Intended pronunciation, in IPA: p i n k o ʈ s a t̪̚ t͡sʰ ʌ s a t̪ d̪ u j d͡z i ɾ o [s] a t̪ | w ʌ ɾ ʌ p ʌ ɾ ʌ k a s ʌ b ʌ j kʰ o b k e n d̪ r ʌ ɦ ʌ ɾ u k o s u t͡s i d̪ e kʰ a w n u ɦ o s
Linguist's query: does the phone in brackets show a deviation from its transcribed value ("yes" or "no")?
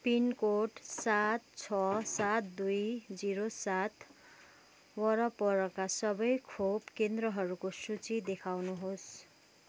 no